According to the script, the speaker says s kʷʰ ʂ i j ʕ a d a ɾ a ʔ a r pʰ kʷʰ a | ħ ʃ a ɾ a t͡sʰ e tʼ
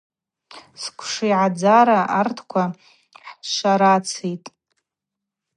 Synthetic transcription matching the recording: s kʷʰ ʂ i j ʕ a d͡z a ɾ a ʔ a r tʰ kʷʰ a | ħ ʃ a ɾ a t͡sʰ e tʼ